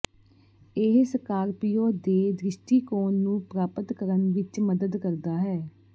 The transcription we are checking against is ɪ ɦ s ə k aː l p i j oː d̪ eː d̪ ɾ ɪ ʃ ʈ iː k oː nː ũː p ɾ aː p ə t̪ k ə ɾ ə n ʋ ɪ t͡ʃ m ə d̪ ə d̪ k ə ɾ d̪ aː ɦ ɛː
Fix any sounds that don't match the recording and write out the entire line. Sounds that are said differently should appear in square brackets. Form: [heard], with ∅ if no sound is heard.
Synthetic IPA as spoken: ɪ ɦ s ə k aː [ɾ] p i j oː d̪ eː d̪ ɾ ɪ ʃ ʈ iː k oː nː ũː p ɾ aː p ə t̪ k ə ɾ ə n ʋ ɪ t͡ʃ m ə d̪ ə d̪ k ə ɾ d̪ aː ɦ ɛː

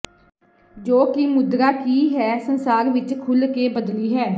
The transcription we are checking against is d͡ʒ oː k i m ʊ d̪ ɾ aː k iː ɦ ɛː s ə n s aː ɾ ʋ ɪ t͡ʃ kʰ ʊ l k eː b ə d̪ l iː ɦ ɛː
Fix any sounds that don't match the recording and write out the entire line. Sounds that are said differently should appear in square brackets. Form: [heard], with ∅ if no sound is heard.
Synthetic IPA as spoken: d͡ʒ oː k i m ʊ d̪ ɾ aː k iː ɦ ɛː s ə n s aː ɾ ʋ ɪ t͡ʃ kʰ ʊ l k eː b ə d̪ l iː ɦ ɛː

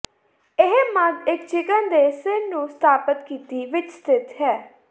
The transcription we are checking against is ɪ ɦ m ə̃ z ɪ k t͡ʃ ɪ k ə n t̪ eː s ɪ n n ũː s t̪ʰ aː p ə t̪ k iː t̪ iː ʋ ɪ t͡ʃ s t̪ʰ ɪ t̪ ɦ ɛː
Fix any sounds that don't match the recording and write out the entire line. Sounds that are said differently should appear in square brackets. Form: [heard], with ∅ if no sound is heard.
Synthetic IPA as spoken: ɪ ɦ m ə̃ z ɪ k t͡ʃ ɪ k ə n [d̪] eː s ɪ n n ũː s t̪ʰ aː p ə t̪ k iː t̪ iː ʋ ɪ t͡ʃ s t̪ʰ ɪ t̪ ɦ ɛː

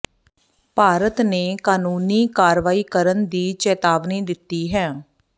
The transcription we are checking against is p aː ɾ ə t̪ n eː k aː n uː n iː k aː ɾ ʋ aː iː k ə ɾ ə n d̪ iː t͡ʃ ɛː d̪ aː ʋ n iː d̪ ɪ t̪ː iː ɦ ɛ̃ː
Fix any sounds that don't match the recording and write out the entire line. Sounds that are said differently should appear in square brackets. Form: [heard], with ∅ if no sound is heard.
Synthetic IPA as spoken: p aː ɾ ə t̪ n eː k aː n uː n iː k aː ɾ ʋ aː iː k ə ɾ ə n d̪ iː t͡ʃ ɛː [t̪] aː ʋ n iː d̪ ɪ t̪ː iː ɦ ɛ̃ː

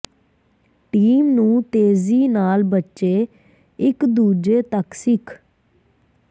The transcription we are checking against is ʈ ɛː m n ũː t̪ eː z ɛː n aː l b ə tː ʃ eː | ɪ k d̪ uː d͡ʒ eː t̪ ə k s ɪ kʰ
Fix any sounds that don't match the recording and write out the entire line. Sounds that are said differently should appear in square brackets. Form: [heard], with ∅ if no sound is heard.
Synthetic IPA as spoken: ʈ [iː] m n ũː t̪ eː z [iː] n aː l b ə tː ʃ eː | ɪ k d̪ uː d͡ʒ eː t̪ ə k s ɪ kʰ

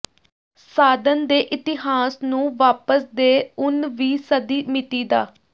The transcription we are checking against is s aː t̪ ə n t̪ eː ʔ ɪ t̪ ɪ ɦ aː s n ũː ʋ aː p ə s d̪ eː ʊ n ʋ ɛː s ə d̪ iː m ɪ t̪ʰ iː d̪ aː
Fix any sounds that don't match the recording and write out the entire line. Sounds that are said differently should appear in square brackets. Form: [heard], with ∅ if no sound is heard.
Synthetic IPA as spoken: s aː [d̪] ə n [d̪] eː ʔ ɪ t̪ ɪ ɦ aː s n ũː ʋ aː p ə s d̪ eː ʊ n ʋ [iː] s ə d̪ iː m ɪ [t̪] iː d̪ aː

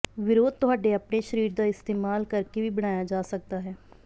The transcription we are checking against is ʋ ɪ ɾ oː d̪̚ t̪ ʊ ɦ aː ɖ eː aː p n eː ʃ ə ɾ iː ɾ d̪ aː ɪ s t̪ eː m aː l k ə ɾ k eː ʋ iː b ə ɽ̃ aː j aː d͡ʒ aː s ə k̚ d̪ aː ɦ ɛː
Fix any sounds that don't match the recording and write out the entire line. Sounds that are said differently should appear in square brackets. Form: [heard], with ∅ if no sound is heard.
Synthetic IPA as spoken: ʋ ɪ ɾ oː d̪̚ t̪ ʊ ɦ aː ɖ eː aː p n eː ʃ ə ɾ iː ɾ d̪ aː ɪ s t̪ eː m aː l k ə ɾ k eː ʋ iː b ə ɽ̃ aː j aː d͡ʒ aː s ə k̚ d̪ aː ɦ ɛː

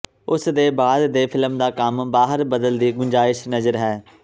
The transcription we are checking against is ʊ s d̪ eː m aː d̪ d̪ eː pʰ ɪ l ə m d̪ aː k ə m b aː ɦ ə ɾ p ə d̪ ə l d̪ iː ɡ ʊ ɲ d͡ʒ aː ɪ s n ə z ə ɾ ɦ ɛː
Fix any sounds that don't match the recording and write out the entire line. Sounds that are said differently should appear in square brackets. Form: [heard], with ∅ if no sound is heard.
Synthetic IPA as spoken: ʊ s d̪ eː [b] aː d̪ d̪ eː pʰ ɪ l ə m d̪ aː k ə m b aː ɦ ə ɾ [b] ə d̪ ə l d̪ iː ɡ ʊ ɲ d͡ʒ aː ɪ [ʃ] n ə z ə ɾ ɦ ɛː

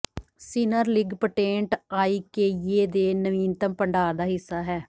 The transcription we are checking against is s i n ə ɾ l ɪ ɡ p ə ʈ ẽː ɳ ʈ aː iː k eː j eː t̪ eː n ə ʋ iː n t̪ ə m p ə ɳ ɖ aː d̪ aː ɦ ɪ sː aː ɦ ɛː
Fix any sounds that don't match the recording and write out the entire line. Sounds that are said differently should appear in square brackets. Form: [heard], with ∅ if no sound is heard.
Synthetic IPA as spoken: s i n ə ɾ l ɪ ɡ p ə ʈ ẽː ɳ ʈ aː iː k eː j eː [d̪] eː n ə ʋ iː n t̪ ə m p ə ɳ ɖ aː d̪ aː ɦ ɪ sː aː ɦ ɛː

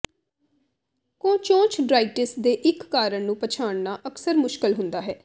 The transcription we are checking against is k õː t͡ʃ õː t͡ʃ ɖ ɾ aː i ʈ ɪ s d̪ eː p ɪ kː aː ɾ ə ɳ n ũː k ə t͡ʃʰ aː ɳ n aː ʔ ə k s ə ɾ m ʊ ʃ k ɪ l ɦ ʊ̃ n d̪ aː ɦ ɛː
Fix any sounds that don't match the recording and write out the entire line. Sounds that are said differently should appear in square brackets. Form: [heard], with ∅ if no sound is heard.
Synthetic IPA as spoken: k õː t͡ʃ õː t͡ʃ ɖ ɾ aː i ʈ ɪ s d̪ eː [ʔ] ɪ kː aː ɾ ə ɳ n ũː [p] ə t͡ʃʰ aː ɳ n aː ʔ ə k s ə ɾ m ʊ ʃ k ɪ l ɦ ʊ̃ n d̪ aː ɦ ɛː

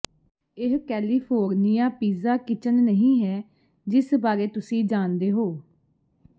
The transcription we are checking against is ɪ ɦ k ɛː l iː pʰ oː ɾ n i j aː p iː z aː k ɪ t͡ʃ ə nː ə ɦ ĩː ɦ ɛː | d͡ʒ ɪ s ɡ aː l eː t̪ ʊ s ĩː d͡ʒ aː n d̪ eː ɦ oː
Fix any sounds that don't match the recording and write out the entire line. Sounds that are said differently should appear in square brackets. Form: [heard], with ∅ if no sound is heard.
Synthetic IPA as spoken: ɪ ɦ k ɛː l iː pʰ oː ɾ n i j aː p iː z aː k ɪ t͡ʃ ə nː ə ɦ ĩː ɦ ɛː | d͡ʒ ɪ s [b] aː [ɾ] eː t̪ ʊ s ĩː d͡ʒ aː n d̪ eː ɦ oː

